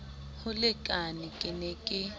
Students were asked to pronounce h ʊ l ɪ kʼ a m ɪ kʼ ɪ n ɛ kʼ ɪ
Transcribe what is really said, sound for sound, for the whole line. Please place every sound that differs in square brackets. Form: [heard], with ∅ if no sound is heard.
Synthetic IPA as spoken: h ʊ l ɪ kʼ a [n] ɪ kʼ ɪ n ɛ kʼ ɪ